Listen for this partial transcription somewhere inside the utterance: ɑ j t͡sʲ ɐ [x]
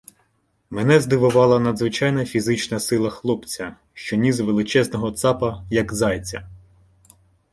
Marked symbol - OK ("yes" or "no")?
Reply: no